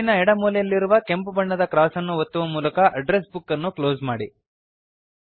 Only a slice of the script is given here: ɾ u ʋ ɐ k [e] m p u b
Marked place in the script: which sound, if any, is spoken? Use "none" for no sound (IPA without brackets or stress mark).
e